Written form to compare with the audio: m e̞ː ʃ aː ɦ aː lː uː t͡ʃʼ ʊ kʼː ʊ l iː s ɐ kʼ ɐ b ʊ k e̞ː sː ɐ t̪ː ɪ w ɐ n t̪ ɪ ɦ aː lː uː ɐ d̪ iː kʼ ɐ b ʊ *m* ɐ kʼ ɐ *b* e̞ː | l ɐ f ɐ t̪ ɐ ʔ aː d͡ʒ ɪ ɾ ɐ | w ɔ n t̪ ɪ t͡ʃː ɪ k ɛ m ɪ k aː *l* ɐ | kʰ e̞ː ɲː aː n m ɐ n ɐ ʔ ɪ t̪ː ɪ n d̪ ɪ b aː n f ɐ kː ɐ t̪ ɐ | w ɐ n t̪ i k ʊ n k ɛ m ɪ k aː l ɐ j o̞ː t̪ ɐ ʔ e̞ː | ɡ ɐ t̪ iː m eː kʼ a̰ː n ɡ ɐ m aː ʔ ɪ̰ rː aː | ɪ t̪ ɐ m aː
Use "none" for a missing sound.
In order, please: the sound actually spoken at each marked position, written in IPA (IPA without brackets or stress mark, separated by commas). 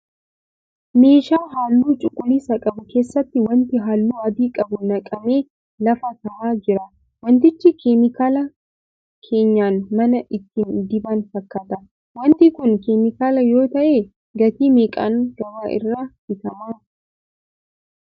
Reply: n, m, l